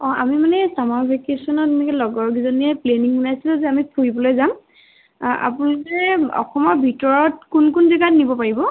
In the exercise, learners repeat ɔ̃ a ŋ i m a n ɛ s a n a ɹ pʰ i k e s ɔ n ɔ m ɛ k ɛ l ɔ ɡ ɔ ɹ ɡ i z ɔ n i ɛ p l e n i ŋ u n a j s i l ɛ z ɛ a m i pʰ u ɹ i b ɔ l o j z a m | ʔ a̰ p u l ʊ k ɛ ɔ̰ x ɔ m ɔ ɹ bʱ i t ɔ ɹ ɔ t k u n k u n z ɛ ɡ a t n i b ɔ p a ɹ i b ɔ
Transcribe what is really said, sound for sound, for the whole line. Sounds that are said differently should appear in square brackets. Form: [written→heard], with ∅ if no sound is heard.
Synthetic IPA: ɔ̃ a [ŋ→m] i m a n ɛ s a [n→m] a ɹ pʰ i k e s ɔ n ɔ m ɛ k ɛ l ɔ ɡ ɔ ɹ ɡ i z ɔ n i ɛ p l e n i ŋ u n a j s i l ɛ z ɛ a m i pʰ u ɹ i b ɔ l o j z a m | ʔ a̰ p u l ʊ k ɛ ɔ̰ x ɔ m ɔ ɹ bʱ i t ɔ ɹ ɔ t k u n k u n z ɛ ɡ a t n i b ɔ p a ɹ i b ɔ